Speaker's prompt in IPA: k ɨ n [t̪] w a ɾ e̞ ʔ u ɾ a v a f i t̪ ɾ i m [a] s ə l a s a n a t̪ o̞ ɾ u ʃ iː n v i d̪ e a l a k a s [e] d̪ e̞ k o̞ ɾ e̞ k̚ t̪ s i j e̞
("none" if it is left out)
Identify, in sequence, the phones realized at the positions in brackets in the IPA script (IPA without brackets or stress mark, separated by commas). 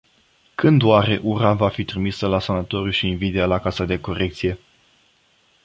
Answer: d̪, i, a